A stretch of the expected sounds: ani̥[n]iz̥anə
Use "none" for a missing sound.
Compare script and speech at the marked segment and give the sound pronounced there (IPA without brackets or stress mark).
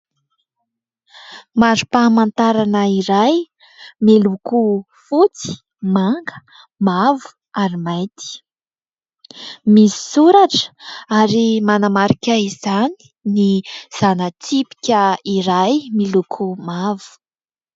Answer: n